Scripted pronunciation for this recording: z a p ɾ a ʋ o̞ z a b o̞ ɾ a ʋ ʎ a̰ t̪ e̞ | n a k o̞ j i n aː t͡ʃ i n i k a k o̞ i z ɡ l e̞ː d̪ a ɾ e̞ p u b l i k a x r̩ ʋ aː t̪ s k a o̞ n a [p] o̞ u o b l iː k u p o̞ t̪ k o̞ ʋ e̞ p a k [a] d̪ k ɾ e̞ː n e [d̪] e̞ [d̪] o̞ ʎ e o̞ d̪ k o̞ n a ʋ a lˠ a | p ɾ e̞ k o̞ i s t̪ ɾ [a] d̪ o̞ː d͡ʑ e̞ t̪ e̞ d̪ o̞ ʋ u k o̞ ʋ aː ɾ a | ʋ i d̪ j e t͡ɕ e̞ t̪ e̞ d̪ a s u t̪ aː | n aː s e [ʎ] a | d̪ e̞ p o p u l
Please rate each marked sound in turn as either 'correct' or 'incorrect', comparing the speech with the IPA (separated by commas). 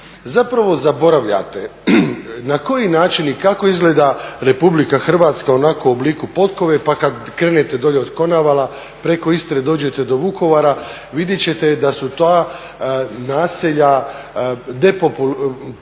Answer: incorrect, correct, incorrect, correct, incorrect, correct